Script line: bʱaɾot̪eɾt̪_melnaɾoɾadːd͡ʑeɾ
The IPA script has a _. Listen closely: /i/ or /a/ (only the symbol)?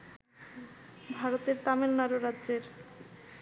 a